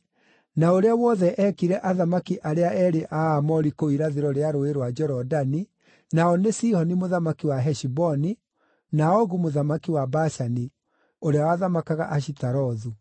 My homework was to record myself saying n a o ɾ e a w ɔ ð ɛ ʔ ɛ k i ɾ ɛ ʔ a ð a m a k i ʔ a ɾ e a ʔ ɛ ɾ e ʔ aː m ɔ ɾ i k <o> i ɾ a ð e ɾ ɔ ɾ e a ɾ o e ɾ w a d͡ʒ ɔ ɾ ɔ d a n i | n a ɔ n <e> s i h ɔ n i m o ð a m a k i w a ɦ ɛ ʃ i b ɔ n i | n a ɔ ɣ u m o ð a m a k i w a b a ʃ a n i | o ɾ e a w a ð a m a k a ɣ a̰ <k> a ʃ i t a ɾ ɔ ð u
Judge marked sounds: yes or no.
yes, yes, no

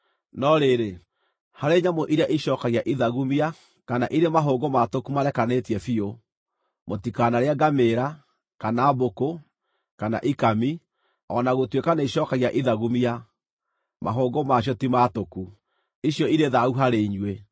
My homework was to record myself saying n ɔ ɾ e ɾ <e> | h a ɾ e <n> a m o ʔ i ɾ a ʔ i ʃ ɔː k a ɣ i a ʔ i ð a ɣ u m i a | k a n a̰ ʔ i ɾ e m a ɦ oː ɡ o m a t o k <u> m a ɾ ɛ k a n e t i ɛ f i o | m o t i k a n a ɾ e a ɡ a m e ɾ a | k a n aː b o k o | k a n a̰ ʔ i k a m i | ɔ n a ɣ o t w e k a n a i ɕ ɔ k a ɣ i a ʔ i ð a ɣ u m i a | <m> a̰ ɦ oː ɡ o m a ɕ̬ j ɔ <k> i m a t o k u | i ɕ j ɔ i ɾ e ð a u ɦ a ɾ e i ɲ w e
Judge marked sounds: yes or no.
yes, no, yes, yes, no

